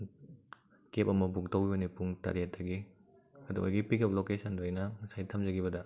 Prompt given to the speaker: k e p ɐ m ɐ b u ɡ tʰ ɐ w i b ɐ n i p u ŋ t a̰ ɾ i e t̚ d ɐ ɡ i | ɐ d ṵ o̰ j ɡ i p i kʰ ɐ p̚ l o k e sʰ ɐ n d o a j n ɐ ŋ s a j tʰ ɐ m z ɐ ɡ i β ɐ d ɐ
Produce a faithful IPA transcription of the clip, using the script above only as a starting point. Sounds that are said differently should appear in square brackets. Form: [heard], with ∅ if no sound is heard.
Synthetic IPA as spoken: k e p ɐ m ɐ b u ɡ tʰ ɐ w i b ɐ n i p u ŋ t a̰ ɾ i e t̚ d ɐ ɡ i | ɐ d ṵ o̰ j ɡ i p i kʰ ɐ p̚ l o k e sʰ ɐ n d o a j n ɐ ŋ s a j tʰ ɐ m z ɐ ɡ i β ɐ d ɐ